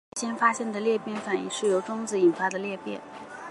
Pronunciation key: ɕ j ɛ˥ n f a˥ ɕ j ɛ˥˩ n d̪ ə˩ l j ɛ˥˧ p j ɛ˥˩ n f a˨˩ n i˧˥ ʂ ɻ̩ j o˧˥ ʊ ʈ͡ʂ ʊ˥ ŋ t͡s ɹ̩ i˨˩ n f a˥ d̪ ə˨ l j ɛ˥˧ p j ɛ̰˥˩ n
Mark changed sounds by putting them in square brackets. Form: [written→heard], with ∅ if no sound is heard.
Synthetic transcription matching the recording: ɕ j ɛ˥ n f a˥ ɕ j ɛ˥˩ n d̪ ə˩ l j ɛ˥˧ p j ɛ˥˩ n f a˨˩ n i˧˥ ʂ ɻ̩ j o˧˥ ʊ ʈ͡ʂ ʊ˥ ŋ t͡s ɹ̩ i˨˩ n f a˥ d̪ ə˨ l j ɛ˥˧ p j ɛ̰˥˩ n